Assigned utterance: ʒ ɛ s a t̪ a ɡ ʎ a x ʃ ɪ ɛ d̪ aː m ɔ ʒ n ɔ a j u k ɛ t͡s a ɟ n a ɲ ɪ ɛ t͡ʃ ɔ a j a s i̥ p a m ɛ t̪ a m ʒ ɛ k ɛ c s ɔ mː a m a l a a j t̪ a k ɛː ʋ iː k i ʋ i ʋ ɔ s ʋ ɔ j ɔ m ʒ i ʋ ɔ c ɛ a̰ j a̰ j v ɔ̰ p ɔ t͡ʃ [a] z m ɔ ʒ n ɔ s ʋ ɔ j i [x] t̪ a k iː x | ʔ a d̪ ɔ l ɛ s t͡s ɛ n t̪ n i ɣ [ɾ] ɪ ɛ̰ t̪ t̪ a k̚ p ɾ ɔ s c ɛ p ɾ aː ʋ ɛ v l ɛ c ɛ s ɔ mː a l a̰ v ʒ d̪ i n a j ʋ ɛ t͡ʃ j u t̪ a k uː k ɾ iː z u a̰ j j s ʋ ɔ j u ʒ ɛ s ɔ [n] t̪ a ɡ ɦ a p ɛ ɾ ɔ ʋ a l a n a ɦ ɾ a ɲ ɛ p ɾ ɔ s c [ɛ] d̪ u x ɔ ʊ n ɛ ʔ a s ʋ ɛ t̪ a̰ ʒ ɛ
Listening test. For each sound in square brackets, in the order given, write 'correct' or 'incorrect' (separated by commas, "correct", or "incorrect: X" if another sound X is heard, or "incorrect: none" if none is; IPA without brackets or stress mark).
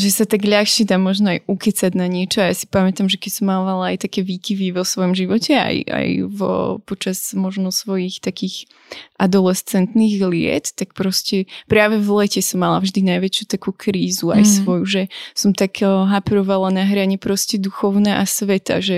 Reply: correct, correct, incorrect: l, incorrect: m, correct